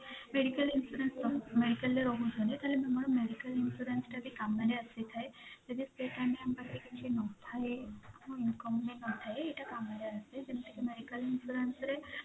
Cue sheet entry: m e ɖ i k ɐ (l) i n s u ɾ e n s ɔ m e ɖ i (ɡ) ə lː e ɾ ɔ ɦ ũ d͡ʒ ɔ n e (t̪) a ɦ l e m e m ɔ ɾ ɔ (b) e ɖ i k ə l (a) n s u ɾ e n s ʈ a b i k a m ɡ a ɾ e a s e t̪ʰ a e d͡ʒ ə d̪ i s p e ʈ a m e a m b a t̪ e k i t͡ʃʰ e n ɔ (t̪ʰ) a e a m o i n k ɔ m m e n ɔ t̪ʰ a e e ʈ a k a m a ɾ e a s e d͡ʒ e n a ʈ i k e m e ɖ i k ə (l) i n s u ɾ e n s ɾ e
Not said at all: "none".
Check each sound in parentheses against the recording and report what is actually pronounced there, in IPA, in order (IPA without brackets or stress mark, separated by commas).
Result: l, k, t̪, m, i, t̪ʰ, l